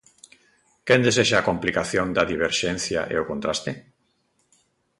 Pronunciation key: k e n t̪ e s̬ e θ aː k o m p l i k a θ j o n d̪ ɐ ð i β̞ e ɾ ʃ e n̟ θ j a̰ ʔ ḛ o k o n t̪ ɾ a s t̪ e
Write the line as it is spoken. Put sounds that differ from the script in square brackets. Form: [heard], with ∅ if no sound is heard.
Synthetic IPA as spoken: k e n [d̪] e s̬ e [ʃ] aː k o m p l i k a θ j o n d̪ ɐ ð i β̞ e ɾ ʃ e n̟ θ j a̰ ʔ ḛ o k o n t̪ ɾ a s t̪ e